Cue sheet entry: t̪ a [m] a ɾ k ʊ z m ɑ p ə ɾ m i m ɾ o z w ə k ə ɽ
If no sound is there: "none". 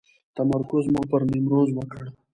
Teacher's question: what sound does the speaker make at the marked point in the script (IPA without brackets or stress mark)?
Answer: m